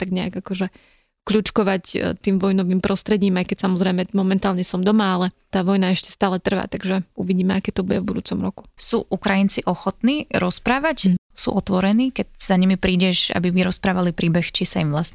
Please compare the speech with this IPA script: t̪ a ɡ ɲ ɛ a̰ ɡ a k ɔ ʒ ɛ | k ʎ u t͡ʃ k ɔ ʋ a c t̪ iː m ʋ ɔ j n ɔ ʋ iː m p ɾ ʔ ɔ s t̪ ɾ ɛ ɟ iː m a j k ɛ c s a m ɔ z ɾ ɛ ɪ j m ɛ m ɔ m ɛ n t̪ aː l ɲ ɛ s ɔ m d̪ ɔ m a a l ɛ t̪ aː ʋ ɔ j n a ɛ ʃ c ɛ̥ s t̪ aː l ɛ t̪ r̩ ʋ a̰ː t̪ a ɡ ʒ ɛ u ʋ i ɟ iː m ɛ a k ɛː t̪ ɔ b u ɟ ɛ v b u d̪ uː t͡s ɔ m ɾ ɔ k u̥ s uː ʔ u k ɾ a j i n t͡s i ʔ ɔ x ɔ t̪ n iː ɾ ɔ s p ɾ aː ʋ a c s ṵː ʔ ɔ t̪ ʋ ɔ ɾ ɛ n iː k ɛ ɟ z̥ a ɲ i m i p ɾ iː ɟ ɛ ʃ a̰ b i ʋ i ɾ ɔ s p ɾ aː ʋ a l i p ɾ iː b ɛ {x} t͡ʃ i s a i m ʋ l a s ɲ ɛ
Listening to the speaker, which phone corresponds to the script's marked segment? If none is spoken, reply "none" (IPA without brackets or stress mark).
x